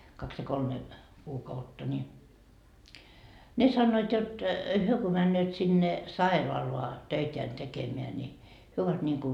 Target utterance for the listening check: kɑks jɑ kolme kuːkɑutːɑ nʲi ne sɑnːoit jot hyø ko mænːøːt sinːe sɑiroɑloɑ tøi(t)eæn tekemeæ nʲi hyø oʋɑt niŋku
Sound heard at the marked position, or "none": t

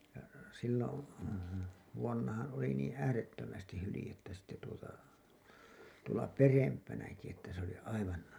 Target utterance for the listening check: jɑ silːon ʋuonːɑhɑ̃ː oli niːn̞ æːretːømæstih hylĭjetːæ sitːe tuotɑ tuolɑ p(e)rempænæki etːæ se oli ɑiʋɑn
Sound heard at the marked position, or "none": e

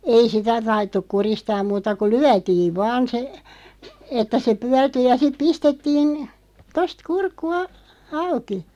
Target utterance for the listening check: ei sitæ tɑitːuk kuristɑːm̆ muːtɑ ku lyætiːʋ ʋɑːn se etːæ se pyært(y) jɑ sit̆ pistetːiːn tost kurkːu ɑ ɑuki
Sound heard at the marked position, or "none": y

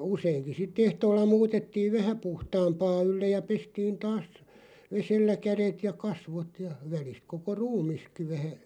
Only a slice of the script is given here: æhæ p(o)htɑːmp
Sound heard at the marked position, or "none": u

